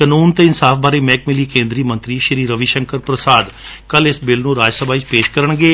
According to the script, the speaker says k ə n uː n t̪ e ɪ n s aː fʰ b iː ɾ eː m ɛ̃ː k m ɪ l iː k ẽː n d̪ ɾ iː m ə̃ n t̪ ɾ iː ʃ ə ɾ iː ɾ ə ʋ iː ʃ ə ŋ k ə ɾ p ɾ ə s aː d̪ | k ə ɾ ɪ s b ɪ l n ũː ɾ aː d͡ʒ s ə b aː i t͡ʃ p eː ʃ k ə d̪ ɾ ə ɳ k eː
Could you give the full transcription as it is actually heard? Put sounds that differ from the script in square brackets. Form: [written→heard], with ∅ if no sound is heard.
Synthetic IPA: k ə n uː n t̪ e ɪ n s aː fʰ b [iː→aː] ɾ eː m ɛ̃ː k m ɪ l iː k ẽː n d̪ ɾ iː m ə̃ n t̪ ɾ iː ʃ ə ɾ iː ɾ ə ʋ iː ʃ ə ŋ k ə ɾ p ɾ ə s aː d̪ | k ə [ɾ→l] ɪ s b ɪ l n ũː ɾ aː d͡ʒ s ə b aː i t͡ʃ p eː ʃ k ə [d̪→∅] ɾ ə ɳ [k→ɡ] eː